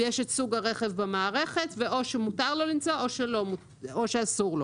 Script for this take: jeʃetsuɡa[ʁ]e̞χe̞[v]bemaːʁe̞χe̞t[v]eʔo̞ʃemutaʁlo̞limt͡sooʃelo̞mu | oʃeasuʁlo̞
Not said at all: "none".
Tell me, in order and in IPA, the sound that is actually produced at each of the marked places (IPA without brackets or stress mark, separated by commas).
ʁ, v, v